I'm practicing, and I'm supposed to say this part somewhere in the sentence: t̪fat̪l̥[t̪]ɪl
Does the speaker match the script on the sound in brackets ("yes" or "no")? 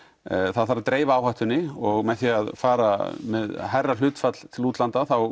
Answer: no